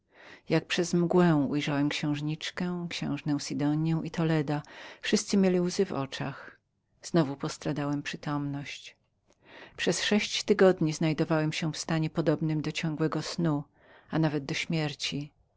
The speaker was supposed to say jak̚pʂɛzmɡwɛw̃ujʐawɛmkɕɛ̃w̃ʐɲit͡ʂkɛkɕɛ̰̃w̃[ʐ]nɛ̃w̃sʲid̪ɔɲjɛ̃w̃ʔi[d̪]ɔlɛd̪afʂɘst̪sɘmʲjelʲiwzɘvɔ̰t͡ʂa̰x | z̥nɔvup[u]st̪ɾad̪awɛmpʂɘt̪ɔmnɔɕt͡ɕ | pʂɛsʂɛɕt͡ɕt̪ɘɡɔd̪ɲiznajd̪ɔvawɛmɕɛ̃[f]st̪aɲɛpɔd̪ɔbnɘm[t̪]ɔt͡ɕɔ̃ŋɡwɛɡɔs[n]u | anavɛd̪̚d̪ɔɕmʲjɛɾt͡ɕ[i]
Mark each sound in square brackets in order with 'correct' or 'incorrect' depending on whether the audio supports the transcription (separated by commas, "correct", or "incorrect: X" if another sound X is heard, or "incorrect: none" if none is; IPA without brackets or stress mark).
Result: correct, incorrect: t̪, incorrect: ɔ, correct, incorrect: d̪, correct, correct